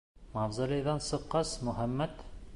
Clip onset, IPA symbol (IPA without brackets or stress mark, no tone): m